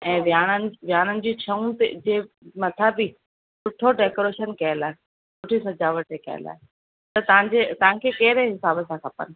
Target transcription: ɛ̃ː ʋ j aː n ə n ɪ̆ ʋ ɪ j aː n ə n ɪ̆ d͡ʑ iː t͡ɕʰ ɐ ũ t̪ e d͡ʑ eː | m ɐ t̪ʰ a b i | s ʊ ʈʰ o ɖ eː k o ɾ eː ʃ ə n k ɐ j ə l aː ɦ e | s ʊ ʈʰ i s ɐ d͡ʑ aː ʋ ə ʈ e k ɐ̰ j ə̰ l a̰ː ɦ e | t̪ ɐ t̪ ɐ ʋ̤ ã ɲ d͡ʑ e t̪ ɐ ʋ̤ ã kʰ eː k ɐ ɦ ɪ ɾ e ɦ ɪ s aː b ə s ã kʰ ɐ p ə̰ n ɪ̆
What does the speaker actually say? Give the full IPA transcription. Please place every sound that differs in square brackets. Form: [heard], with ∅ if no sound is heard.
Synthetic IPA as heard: ɛ̃ː ʋ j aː n ə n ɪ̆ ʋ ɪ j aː n ə n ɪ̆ d͡ʑ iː t͡ɕʰ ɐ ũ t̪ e d͡ʑ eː | m ɐ t̪ʰ a b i | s ʊ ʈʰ o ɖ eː k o ɾ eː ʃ ə n k ɐ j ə l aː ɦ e | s ʊ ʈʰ i s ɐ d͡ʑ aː ʋ ə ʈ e k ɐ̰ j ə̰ l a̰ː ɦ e | t̪ ɐ t̪ ɐ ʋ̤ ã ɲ d͡ʑ e t̪ ɐ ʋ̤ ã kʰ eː k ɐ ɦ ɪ ɾ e ɦ ɪ s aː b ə s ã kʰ ɐ p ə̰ n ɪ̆